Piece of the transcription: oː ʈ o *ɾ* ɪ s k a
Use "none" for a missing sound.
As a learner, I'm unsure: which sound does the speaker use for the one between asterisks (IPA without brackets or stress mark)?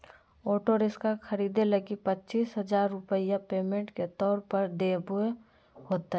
ɾ